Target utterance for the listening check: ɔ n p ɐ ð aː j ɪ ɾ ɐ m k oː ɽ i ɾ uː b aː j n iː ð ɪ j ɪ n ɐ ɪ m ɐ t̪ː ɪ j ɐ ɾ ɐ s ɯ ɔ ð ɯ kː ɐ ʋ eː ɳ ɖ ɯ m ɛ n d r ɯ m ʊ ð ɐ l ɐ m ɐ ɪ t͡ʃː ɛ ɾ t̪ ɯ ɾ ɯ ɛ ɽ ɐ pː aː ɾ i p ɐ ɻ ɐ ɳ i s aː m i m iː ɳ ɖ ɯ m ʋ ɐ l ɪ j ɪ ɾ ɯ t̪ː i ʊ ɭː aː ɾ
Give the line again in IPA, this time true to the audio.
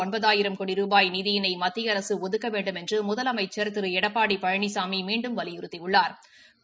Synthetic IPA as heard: ɔ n b ɐ ð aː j ɪ ɾ ɐ m k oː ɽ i ɾ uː b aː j n iː ð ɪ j ɪ n ɐ ɪ m ɐ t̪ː ɪ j ɐ ɾ ɐ s ɯ ɔ ð ɯ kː ɐ ʋ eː ɳ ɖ ɯ m ɛ n d r ɯ m ʊ ð ɐ l ɐ m ɐ ɪ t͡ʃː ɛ ɾ t̪ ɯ ɾ ɯ ɛ ɽ ɐ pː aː ɽ i p ɐ ɻ ɐ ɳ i s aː m i m iː ɳ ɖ ɯ m ʋ ɐ l ɪ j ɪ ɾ ɯ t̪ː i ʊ ɭː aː ɾ